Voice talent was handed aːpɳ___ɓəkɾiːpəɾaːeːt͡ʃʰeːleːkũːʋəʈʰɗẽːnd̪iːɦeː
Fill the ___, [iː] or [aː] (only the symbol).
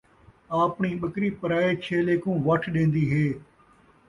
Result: iː